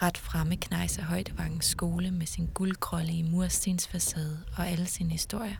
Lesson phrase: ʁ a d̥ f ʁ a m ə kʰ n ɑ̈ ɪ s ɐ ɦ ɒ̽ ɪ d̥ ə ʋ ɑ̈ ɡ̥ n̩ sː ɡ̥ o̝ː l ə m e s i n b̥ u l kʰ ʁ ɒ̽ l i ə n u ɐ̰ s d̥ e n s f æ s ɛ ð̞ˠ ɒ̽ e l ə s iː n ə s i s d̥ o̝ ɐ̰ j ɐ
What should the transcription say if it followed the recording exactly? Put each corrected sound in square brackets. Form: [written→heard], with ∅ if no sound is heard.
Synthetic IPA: ʁ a d̥ f ʁ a m ə kʰ n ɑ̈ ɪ s ɐ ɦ ɒ̽ ɪ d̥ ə ʋ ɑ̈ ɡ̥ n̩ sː ɡ̥ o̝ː l ə m e s i n [b̥→ɡ̥] u l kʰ ʁ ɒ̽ l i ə [n→m] u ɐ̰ s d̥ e n s f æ s ɛ ð̞ˠ ɒ̽ [e→æ] l ə s iː n ə [s→h] i s d̥ o̝ ɐ̰ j ɐ